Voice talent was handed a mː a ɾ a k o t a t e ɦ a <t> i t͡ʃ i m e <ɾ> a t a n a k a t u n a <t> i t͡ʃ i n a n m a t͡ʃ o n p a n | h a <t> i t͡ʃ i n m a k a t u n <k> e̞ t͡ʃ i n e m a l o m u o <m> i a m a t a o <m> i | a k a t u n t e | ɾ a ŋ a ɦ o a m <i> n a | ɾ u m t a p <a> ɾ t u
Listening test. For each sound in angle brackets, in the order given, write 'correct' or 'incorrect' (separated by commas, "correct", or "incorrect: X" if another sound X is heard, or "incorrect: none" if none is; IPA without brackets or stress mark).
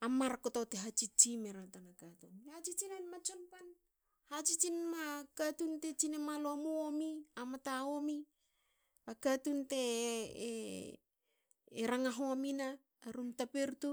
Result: incorrect: t͡ʃ, correct, incorrect: t͡ʃ, incorrect: t͡ʃ, incorrect: t, correct, correct, correct, incorrect: e